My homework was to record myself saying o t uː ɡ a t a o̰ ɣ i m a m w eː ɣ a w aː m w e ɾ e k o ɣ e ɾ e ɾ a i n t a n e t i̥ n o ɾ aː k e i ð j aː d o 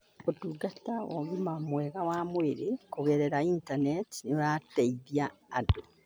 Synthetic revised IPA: o t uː ɡ a t a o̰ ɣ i m a m w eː ɣ a w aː m w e ɾ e k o ɣ e ɾ e ɾ a i n t a n e t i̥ n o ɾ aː t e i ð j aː d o